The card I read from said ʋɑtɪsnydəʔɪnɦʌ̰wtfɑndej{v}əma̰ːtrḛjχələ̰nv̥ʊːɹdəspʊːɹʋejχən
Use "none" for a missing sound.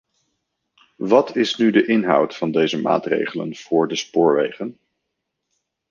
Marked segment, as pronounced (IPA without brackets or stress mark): z